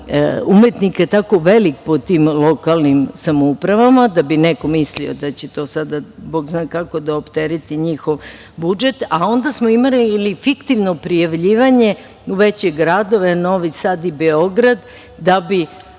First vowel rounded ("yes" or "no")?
yes